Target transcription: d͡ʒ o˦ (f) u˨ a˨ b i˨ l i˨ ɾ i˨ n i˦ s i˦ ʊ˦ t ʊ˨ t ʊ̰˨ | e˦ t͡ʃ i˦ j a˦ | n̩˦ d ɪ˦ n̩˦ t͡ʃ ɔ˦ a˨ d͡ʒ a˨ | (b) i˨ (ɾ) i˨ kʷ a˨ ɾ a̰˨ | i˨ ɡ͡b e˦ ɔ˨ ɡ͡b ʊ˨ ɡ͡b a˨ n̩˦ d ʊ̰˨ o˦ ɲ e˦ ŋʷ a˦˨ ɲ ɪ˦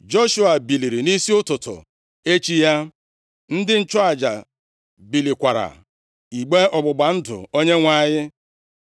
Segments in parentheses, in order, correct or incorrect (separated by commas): incorrect, correct, incorrect